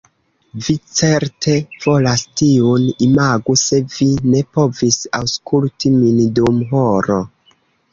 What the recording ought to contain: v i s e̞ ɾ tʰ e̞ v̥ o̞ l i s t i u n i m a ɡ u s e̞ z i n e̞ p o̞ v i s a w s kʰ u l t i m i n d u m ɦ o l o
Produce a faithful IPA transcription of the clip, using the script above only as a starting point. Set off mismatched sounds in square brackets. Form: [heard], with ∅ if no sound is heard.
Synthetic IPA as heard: v i [t͡s] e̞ ɾ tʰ e̞ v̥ o̞ l [a] s t i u n i m a ɡ u s e̞ [v] i n e̞ p o̞ v i s a w s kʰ u l t i m i n d u m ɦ o [ɾ] o